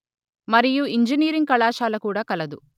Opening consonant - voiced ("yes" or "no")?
yes